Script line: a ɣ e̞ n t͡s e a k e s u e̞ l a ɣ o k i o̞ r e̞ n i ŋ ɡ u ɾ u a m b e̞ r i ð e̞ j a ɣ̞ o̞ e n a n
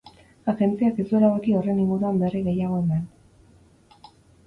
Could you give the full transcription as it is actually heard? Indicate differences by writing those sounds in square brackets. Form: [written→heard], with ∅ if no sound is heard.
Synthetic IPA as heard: a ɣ e̞ n t͡s [e→i] a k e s u e̞ l a ɣ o k i o̞ r e̞ n i ŋ ɡ u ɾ u a m b e̞ r i [ð→ɣ] e̞ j a ɣ̞ o̞ e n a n